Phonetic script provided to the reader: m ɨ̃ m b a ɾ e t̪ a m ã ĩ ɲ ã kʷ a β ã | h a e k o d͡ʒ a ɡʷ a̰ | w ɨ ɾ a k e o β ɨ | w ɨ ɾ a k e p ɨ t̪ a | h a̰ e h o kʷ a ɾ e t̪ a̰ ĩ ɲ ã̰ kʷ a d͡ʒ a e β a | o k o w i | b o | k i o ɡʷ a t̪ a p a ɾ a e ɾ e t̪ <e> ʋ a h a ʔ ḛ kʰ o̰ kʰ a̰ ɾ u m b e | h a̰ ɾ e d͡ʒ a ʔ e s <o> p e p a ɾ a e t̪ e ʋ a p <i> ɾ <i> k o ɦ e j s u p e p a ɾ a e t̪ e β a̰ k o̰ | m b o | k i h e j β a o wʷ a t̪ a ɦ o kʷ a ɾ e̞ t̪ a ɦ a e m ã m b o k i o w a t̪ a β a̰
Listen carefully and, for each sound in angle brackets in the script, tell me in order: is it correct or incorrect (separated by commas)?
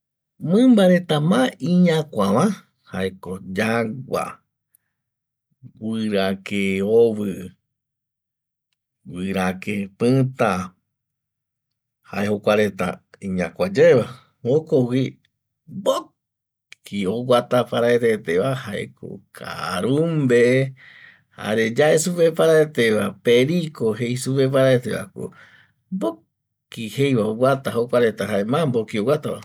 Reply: correct, incorrect, incorrect, correct